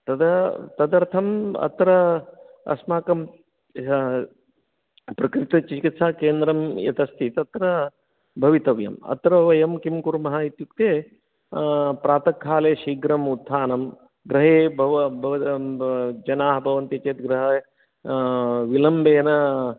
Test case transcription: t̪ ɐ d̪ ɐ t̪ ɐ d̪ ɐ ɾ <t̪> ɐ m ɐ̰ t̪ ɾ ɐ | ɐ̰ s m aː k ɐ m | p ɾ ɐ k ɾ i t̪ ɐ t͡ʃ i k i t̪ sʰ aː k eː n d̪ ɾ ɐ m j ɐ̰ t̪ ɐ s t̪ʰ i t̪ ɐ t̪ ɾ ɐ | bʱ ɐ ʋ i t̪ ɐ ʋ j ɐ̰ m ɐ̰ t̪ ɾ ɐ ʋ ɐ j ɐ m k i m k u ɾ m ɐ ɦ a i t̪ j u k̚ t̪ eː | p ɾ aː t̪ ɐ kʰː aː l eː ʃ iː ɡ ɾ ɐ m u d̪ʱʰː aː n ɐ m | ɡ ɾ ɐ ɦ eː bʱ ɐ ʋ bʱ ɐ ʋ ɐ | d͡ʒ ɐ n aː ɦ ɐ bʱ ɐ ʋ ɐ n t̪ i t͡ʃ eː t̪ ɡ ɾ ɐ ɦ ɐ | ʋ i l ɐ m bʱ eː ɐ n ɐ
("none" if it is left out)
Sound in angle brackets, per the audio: t̪ʰ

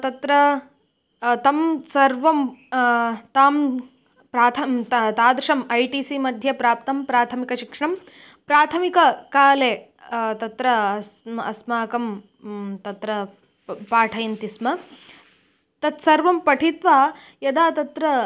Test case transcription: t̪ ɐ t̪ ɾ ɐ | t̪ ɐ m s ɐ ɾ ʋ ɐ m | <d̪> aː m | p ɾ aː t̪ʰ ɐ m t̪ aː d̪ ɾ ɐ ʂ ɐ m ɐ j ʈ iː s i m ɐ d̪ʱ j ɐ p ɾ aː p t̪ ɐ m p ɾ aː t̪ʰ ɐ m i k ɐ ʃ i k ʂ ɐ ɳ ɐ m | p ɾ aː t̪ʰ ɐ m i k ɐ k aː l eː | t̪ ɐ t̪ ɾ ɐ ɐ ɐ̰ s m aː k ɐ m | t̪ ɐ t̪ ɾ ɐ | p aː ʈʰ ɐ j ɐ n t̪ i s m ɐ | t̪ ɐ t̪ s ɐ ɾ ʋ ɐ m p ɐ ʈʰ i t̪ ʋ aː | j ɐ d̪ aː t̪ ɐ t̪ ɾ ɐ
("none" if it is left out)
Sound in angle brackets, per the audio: t̪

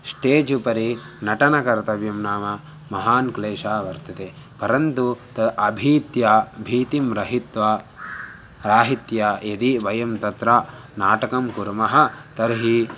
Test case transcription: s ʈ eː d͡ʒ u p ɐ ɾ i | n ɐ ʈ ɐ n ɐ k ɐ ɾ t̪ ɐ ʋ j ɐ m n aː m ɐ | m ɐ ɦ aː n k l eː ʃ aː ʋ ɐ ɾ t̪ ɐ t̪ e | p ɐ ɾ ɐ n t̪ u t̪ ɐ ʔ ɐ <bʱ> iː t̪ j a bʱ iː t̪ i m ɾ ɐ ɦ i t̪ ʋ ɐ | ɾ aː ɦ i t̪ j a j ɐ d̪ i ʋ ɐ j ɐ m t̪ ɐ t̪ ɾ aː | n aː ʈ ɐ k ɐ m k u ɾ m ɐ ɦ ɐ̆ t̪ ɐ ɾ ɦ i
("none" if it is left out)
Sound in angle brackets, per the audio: bʱ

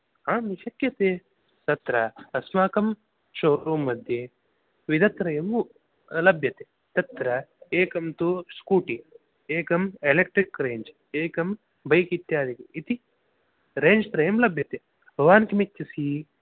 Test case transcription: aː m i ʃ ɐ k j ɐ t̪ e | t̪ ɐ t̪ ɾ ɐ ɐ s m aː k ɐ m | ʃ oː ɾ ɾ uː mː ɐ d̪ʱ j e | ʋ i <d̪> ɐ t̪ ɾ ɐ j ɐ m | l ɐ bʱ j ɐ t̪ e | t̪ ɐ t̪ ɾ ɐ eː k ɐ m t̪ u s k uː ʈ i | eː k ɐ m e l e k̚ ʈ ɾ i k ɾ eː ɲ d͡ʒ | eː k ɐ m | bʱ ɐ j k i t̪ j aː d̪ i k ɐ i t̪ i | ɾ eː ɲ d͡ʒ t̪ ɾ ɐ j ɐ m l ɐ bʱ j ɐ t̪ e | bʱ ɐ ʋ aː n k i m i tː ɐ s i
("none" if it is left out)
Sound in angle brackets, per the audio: d̪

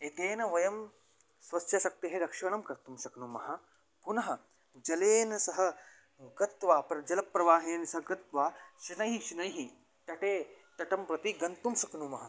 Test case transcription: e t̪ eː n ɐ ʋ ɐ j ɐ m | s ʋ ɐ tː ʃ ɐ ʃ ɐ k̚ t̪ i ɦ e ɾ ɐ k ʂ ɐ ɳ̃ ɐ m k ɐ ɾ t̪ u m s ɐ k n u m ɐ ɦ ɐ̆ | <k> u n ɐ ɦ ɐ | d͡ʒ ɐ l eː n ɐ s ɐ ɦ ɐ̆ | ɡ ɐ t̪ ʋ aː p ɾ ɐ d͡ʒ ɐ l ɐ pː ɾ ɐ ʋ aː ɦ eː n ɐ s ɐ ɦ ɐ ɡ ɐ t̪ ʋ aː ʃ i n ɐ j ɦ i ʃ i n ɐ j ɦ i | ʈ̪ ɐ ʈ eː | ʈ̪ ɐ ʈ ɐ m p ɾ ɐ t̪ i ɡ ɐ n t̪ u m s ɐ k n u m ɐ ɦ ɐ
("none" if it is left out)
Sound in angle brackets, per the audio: p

